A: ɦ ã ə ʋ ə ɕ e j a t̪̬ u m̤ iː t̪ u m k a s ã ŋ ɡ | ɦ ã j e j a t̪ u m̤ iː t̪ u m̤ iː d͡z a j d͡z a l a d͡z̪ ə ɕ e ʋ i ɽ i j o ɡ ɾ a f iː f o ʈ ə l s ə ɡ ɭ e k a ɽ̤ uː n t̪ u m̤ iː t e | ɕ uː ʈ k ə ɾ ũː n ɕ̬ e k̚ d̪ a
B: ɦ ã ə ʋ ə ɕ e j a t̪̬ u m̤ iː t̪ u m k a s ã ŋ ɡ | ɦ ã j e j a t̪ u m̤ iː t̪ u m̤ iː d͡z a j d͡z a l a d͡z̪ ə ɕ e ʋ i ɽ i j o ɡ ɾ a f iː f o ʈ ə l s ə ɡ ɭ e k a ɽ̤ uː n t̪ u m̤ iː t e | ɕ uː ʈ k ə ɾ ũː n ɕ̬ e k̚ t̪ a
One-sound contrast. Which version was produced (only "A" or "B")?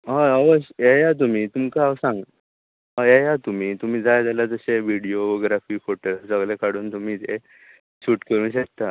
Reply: B